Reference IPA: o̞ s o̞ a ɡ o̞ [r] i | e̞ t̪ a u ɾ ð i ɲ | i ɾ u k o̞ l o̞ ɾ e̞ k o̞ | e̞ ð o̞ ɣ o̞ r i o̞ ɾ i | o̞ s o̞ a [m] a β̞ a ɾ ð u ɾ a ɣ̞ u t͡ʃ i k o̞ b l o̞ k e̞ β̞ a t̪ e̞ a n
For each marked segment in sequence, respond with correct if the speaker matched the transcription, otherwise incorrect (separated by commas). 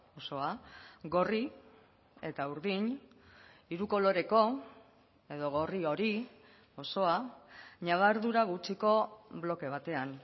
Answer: correct, incorrect